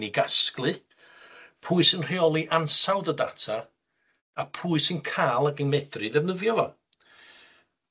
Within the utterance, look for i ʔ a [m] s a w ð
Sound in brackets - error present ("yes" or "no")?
yes